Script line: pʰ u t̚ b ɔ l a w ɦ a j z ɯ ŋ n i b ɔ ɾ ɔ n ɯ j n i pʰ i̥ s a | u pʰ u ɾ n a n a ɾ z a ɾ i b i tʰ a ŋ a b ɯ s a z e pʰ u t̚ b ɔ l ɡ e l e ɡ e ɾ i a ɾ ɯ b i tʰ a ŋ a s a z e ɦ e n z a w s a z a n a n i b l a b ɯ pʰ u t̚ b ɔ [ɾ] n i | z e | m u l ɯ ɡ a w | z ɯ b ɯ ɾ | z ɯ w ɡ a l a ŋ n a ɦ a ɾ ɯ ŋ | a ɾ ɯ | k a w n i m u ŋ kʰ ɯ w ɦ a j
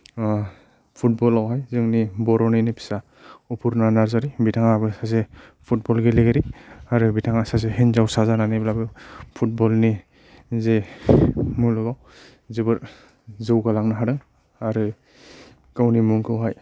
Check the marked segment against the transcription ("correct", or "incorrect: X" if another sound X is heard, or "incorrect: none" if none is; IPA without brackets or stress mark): incorrect: l